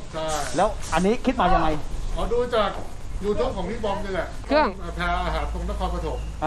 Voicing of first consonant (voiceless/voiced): voiceless